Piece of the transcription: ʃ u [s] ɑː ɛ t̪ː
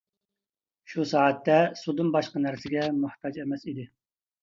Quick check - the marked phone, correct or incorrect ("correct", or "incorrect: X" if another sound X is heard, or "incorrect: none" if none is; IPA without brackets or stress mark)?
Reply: correct